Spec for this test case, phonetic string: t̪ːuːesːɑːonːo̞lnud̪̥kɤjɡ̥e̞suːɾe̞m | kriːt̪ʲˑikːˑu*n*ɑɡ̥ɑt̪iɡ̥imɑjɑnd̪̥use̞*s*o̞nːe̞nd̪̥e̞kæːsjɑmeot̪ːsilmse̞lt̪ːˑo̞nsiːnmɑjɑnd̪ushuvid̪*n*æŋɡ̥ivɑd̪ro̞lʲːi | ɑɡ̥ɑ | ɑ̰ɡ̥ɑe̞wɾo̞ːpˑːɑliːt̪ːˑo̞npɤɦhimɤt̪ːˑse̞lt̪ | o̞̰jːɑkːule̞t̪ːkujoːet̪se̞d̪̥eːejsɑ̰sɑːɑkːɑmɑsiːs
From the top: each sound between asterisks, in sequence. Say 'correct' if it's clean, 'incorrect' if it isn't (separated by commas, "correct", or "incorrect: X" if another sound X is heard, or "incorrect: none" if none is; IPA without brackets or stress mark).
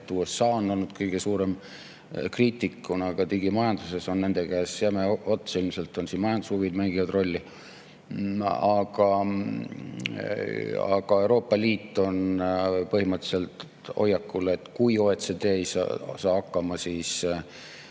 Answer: correct, correct, incorrect: m